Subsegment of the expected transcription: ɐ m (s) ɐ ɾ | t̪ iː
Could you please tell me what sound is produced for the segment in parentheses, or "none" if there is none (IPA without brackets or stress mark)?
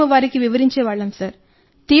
s